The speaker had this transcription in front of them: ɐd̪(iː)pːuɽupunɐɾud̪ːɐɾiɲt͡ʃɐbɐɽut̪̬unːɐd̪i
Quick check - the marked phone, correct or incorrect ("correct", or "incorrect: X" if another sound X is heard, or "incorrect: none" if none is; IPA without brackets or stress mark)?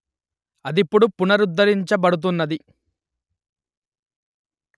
incorrect: i